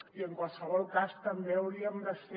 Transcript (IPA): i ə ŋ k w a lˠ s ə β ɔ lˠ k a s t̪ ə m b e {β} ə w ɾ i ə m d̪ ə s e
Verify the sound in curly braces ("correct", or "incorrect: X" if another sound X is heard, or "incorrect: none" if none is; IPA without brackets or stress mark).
incorrect: none